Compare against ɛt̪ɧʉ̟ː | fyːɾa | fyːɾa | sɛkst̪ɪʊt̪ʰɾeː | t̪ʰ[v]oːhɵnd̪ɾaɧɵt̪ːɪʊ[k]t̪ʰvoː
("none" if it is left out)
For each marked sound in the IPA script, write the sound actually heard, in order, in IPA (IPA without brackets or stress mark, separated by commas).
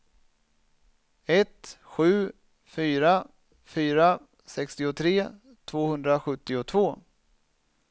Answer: v, none